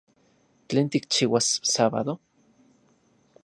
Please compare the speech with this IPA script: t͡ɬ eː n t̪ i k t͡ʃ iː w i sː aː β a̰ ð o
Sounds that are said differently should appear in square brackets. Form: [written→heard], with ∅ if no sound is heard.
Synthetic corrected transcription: t͡ɬ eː n t̪ i k t͡ʃ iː w [i→a] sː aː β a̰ ð o